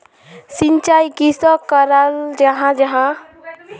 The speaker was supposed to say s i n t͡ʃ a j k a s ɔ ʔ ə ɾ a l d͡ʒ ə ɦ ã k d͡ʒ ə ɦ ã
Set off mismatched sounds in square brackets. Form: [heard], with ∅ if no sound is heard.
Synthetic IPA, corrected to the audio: s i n t͡ʃ a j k [i] s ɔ [k] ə ɾ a l d͡ʒ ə ɦ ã [∅] d͡ʒ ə ɦ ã